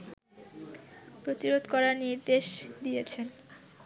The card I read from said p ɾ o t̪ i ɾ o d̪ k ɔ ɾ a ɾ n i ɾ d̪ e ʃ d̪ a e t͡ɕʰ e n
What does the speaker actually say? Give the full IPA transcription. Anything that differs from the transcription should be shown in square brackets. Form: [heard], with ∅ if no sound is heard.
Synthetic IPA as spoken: p ɾ o t̪ i ɾ o d̪ k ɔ ɾ a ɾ n i ɾ d̪ e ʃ d̪ [i] e t͡ɕʰ e n